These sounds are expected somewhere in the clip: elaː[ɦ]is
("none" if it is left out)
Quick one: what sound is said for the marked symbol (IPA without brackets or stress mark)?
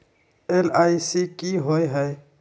none